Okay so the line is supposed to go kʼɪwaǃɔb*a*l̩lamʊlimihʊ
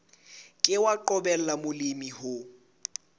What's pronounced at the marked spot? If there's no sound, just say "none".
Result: ɛ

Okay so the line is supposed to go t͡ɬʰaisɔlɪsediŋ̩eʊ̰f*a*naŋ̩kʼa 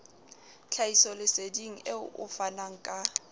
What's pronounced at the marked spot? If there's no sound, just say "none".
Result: a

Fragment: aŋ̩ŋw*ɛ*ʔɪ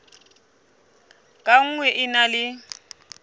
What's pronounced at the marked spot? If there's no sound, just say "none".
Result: ɛ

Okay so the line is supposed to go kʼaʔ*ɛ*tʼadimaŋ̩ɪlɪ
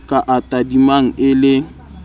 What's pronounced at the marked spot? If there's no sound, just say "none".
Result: a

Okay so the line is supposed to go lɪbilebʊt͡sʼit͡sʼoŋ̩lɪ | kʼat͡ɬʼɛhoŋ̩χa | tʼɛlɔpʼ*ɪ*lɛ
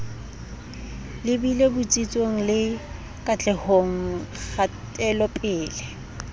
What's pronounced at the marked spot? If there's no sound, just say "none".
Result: ɪː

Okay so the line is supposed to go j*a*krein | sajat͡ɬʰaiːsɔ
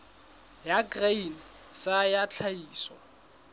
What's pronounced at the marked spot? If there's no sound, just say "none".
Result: a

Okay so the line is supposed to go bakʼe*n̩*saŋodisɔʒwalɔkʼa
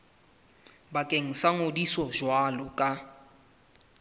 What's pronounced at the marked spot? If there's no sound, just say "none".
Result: ŋ̩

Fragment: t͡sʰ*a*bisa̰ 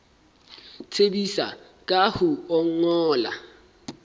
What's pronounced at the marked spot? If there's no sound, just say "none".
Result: e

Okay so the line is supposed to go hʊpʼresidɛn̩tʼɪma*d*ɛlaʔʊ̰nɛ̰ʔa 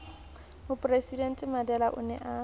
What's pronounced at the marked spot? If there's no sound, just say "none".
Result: d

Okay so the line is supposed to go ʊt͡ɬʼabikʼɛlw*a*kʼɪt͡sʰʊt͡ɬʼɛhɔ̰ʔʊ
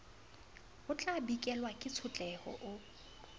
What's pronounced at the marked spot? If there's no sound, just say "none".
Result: a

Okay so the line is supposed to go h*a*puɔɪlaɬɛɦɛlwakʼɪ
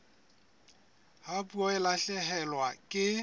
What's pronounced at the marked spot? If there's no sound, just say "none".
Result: a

